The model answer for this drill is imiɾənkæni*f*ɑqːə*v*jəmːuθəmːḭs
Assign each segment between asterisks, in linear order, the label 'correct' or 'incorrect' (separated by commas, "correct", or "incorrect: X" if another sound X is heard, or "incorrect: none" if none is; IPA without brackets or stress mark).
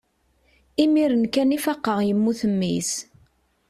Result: correct, incorrect: ʁ